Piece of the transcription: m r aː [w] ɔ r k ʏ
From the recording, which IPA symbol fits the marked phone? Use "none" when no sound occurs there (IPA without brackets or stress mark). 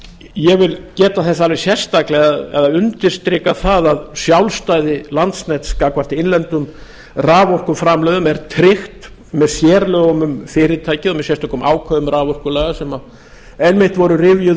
v